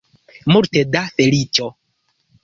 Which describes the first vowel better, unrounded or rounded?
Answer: rounded